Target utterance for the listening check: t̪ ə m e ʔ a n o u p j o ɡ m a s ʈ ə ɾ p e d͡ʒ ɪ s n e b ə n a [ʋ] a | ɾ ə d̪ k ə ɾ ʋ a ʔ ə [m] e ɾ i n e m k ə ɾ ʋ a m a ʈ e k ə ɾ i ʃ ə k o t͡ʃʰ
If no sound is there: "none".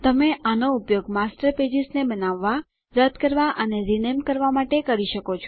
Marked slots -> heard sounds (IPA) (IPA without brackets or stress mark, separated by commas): ʋː, n